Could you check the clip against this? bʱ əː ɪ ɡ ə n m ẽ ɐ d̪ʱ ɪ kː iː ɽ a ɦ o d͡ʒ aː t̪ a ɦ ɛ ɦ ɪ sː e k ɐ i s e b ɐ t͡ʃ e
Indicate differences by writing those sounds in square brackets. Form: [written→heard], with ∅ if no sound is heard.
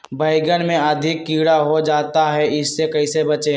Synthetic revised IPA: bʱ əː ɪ ɡ ə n m ẽ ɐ d̪ʱ ɪ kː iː ɽ a ɦ o d͡ʒ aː t̪ a ɦ ɛ [ɦ→∅] ɪ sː e k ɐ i s e b ɐ t͡ʃ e